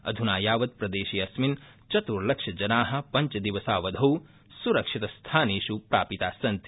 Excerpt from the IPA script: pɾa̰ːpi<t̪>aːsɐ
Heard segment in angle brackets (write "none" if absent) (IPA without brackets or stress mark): t̪